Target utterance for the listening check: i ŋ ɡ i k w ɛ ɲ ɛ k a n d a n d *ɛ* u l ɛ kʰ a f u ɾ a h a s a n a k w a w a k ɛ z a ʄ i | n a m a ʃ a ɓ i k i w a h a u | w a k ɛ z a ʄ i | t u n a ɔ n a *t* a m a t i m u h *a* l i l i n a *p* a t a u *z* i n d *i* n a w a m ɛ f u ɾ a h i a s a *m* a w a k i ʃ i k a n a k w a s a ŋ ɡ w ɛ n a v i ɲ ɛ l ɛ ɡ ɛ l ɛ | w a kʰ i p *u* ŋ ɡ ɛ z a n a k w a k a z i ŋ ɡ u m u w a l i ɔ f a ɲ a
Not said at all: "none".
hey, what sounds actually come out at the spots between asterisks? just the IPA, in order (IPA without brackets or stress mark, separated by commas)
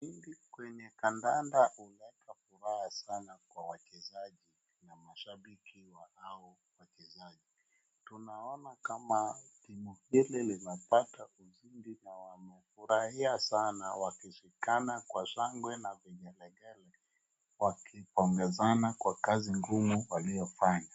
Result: a, k, i, p, z, i, n, ɔ